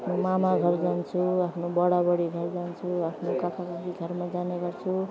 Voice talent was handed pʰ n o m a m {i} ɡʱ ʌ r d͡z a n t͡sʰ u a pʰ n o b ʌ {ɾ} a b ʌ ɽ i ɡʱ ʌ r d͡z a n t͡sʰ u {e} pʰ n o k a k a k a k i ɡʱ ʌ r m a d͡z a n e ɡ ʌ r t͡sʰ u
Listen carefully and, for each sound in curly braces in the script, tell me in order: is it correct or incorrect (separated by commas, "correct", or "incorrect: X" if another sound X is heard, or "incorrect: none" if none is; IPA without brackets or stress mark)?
incorrect: a, incorrect: ɽ, incorrect: a